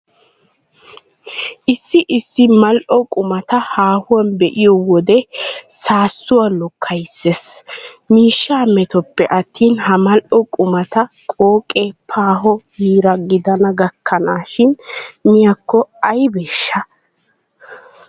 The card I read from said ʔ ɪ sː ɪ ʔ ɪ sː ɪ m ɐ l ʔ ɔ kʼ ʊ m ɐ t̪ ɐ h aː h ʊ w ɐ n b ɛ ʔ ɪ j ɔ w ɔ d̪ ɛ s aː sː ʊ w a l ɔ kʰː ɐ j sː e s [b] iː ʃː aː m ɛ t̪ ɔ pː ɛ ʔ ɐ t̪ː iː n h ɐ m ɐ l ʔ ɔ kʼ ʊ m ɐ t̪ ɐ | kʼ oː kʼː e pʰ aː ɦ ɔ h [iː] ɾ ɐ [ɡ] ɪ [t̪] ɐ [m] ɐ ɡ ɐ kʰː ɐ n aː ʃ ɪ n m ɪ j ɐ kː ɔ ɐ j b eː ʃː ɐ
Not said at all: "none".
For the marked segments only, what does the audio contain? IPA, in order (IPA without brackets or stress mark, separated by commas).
m, iː, ɡ, d̪, n